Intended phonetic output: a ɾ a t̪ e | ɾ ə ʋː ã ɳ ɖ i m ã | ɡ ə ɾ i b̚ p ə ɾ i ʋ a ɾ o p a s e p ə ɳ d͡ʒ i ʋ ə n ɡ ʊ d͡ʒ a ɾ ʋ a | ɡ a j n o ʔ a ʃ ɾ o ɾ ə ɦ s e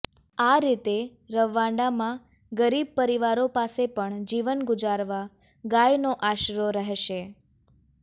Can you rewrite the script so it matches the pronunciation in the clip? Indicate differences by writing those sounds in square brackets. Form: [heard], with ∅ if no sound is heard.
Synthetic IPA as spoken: a ɾ [i] t̪ e | ɾ ə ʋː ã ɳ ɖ [a] m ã | ɡ ə ɾ i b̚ p ə ɾ i ʋ a ɾ o p a s e p ə ɳ d͡ʒ i ʋ ə n ɡ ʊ d͡ʒ a ɾ ʋ a | ɡ a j n o ʔ a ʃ ɾ o ɾ ə ɦ [ʃ] e